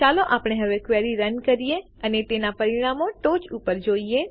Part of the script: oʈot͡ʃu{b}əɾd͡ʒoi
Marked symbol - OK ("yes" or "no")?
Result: no